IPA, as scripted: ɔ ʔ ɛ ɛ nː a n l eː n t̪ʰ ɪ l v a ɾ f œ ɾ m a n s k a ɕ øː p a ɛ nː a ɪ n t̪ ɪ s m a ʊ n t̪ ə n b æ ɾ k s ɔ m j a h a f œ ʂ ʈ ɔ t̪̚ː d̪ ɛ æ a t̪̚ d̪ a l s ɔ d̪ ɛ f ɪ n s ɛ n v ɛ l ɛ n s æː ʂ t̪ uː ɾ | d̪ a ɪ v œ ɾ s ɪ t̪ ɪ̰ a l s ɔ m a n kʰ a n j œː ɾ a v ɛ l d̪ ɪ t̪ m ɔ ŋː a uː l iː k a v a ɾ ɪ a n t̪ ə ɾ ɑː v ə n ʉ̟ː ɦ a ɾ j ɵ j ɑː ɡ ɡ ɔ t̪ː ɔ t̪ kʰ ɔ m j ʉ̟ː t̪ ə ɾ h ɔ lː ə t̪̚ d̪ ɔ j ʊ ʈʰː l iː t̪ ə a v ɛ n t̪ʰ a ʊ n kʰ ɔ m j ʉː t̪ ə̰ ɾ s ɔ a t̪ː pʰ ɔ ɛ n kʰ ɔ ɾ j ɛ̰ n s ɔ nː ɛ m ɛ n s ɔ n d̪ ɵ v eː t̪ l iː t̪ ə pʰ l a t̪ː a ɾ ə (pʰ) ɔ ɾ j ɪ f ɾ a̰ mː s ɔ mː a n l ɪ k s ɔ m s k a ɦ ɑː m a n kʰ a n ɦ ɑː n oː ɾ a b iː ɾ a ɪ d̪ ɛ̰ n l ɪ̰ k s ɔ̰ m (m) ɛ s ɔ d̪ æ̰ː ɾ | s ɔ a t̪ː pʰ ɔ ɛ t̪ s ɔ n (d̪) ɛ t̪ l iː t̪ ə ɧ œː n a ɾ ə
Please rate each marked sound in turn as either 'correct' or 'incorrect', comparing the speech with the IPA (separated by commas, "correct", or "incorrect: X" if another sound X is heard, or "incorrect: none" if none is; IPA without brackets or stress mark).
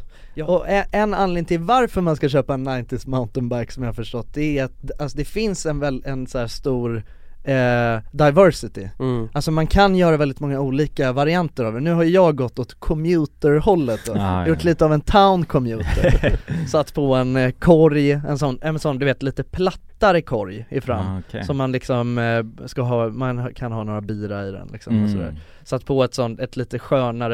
incorrect: kʰ, correct, incorrect: t̪